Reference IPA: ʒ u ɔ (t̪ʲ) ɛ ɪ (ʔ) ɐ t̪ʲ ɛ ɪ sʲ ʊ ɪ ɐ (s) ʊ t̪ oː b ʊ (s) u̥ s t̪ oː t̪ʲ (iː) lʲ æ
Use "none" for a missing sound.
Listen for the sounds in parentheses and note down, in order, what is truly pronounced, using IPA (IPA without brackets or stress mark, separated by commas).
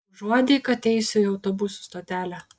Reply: d̪ʲ, k, none, s, æː